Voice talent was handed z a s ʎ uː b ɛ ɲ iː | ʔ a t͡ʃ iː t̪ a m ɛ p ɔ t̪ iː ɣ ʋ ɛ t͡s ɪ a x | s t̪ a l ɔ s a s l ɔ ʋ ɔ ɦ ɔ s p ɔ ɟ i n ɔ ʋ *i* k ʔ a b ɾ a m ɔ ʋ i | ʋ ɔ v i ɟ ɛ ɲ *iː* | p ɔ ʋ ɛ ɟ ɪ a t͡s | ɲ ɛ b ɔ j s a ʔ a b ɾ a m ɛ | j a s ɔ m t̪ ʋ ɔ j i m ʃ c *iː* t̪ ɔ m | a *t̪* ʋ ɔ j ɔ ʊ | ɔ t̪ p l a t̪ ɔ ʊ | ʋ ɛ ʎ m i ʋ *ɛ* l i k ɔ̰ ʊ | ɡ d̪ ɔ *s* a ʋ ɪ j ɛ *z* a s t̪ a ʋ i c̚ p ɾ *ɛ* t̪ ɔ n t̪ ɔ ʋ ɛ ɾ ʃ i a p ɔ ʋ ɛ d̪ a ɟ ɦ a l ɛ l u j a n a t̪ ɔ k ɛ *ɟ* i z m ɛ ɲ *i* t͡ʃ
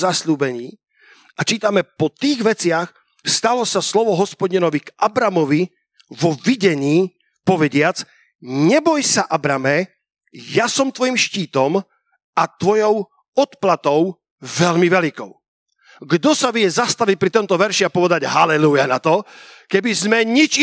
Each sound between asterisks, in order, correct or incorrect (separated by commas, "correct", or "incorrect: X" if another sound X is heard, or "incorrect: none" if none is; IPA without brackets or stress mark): correct, correct, correct, correct, correct, correct, correct, incorrect: i, incorrect: b, correct